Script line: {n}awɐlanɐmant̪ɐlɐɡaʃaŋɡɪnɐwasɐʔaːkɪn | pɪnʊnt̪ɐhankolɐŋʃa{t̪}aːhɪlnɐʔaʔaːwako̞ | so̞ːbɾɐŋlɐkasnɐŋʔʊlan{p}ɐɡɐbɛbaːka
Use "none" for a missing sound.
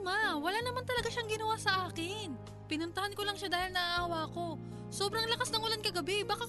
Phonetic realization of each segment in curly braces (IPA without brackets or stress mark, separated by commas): m, d̪, k